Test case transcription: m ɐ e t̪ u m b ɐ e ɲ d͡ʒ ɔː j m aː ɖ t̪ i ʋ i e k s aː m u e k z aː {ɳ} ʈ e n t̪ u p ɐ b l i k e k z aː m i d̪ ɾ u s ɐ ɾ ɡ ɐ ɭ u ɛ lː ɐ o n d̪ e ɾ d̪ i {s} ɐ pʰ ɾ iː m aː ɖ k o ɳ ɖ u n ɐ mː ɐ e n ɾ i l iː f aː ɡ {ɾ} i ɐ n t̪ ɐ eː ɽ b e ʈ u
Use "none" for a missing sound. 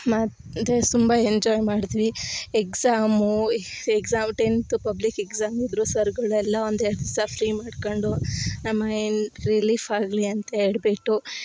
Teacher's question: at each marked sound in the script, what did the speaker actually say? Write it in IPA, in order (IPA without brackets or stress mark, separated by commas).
m, s, l